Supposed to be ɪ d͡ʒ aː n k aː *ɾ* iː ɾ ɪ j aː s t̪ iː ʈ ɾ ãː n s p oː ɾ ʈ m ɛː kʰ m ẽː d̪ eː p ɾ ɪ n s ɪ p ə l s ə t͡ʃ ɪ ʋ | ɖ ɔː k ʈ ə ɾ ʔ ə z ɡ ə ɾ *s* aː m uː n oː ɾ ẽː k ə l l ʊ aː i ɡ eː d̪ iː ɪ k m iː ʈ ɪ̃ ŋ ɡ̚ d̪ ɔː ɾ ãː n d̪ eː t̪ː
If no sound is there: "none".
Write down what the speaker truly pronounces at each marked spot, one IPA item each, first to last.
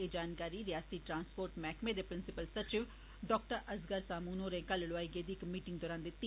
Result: ɾ, s

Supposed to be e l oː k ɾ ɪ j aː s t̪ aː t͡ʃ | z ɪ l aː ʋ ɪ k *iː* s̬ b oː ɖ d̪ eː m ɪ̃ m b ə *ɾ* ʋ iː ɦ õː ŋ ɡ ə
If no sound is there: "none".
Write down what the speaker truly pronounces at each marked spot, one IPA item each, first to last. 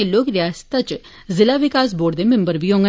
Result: aː, ɾ

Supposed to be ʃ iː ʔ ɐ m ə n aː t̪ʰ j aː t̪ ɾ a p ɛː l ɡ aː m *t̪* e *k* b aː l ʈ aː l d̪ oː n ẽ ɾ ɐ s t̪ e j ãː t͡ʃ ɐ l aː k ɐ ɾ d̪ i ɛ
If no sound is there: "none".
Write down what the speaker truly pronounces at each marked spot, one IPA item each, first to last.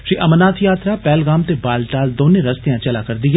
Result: t̪, none

